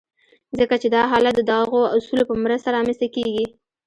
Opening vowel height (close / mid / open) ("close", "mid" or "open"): mid